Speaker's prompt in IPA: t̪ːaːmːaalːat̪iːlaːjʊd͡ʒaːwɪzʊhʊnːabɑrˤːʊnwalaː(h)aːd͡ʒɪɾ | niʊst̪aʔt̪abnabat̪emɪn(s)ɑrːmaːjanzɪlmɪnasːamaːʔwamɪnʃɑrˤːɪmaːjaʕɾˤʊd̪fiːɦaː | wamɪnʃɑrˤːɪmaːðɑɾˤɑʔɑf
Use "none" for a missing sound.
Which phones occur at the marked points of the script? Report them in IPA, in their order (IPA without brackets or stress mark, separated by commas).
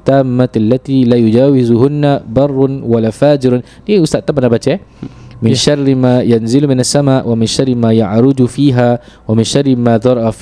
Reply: f, ʃ